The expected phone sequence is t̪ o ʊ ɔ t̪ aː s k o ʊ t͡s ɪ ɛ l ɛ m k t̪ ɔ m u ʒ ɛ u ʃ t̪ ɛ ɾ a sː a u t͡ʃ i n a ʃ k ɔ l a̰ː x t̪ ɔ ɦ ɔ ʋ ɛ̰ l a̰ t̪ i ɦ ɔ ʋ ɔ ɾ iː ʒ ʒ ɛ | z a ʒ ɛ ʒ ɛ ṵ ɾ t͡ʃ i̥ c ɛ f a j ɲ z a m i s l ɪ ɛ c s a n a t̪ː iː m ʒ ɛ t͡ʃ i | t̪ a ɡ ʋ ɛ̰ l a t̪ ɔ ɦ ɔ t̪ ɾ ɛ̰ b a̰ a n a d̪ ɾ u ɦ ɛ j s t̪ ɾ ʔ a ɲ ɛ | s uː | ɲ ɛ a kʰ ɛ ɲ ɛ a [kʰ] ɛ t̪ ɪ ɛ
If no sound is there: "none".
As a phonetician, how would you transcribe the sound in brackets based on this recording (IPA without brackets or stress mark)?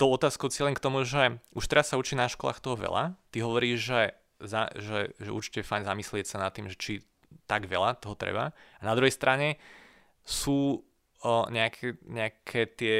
kʰ